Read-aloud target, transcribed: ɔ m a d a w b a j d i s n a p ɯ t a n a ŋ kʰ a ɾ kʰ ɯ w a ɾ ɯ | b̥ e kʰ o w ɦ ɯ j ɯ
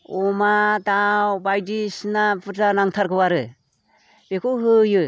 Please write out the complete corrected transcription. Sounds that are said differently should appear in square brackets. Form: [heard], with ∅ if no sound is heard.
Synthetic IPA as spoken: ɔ m a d a w b a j d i s n a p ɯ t a n a ŋ [tʰ] a ɾ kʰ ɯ w a ɾ ɯ | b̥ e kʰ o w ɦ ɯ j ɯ